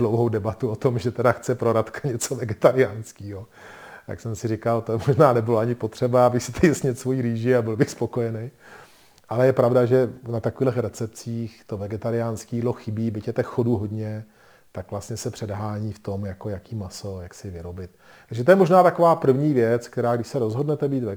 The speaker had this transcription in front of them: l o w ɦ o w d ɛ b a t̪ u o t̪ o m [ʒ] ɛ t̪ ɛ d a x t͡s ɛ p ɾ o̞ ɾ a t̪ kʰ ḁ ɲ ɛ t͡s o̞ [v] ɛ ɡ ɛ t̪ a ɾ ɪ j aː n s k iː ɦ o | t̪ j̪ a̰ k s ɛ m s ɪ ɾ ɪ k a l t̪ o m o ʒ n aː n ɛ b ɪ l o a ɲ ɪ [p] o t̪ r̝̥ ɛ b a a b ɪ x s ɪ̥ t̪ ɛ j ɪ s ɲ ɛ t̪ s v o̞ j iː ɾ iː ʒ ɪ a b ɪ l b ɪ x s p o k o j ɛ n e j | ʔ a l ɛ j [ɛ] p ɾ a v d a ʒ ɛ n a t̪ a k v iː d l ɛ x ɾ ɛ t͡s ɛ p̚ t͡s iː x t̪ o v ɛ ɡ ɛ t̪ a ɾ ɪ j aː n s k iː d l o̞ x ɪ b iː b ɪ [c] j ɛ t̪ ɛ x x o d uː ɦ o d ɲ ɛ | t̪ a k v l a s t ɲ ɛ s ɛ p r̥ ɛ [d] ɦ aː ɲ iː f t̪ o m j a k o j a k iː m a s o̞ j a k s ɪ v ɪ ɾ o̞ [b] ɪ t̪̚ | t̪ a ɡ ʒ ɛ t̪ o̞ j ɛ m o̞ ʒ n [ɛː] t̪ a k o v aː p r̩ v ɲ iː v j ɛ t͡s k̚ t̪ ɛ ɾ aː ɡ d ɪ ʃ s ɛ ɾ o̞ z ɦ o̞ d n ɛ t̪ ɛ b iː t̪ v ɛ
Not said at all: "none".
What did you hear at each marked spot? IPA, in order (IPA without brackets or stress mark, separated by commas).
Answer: ʒ, v, p, ɛ, c, d, b, aː